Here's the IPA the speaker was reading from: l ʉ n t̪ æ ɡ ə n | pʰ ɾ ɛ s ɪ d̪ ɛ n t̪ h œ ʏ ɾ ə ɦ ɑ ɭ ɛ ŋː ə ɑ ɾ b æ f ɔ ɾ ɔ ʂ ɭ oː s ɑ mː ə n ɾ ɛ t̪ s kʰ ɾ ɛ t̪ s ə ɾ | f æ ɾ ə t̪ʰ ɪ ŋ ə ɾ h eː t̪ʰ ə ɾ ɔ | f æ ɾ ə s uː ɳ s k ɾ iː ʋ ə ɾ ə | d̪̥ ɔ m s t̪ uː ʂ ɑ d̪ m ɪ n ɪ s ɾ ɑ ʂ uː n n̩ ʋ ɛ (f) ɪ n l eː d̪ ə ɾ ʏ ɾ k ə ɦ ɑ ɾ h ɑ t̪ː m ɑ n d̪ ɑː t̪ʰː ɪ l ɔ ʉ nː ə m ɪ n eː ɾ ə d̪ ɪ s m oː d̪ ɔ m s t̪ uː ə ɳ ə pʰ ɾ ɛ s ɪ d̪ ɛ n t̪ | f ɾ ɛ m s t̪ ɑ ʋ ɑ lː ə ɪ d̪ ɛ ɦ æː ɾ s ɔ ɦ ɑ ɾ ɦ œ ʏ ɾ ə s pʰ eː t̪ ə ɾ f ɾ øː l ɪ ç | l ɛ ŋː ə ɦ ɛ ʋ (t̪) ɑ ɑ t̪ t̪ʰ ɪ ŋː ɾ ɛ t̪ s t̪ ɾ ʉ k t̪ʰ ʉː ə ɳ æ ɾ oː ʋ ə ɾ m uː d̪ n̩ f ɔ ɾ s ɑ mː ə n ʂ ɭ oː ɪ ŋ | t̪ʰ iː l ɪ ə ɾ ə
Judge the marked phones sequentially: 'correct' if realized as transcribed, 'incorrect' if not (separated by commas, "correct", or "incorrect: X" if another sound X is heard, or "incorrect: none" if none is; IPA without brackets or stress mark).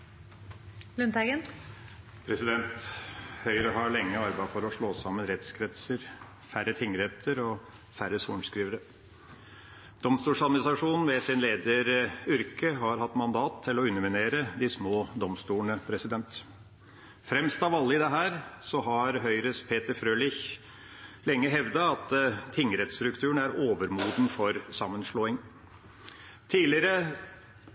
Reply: incorrect: s, incorrect: d̪